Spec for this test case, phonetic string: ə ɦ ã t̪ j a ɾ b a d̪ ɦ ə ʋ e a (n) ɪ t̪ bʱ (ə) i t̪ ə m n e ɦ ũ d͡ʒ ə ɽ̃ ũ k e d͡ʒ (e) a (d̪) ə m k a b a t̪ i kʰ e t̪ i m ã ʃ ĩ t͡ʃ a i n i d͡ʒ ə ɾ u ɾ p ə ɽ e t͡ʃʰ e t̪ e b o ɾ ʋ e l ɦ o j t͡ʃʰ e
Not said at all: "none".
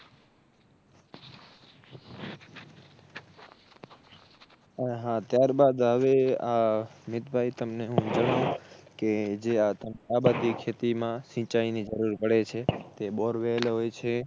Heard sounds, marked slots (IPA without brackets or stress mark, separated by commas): m, a, e, t̪